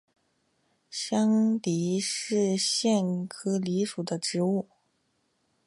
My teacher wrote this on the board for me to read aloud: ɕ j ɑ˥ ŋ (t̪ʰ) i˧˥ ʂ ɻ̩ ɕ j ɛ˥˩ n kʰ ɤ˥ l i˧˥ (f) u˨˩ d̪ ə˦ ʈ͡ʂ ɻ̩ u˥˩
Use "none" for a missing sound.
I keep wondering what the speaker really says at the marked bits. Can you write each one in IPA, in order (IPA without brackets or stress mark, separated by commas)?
t̪, ʂ